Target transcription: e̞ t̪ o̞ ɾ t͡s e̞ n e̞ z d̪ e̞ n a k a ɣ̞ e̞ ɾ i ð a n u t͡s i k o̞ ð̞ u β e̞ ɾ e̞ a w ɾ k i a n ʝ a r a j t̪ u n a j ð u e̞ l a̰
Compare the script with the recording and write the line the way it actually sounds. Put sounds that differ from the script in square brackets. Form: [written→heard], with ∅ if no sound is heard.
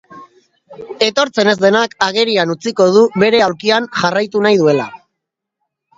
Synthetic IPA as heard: e̞ t̪ o̞ ɾ t͡s e̞ n e̞ z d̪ e̞ n a k a ɣ̞ e̞ ɾ i [ð→∅] a n u t͡s i k o̞ ð̞ u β e̞ ɾ e̞ a w ɾ k i a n ʝ a r a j t̪ u n a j ð u e̞ l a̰